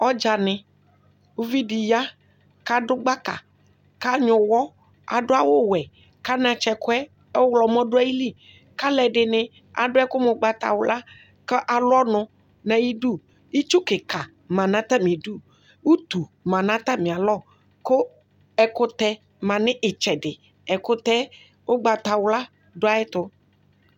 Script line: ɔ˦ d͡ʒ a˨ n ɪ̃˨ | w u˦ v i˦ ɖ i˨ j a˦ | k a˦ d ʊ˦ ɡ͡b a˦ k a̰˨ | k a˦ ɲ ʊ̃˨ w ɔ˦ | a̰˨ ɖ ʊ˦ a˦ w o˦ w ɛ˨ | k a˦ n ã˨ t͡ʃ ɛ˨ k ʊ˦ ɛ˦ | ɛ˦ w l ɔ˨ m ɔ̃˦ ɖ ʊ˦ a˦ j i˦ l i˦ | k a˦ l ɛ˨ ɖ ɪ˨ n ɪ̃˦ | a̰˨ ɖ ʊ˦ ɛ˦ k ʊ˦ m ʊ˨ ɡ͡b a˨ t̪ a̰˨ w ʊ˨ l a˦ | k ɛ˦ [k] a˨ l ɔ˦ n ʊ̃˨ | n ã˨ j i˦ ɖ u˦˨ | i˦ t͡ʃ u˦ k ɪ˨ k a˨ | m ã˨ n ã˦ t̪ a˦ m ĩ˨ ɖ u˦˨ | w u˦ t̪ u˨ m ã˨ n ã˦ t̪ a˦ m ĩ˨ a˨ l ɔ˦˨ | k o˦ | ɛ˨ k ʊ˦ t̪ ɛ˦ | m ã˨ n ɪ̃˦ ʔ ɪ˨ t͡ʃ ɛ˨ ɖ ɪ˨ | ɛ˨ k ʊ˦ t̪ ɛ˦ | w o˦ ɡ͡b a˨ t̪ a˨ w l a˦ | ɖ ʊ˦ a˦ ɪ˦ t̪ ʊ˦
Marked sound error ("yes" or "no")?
yes